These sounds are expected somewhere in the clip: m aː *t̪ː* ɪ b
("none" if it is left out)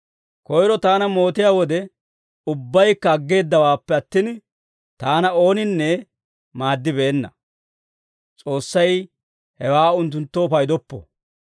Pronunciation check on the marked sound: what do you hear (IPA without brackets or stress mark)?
d̪ː